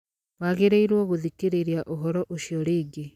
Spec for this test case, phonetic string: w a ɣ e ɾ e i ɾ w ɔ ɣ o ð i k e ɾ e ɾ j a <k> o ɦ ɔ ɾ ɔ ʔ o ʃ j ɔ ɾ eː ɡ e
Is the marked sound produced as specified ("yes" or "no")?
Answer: no